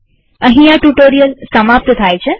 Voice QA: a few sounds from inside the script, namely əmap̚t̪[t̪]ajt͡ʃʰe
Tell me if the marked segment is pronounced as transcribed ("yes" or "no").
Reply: no